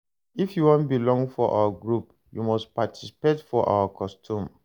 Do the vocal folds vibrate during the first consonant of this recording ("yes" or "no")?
no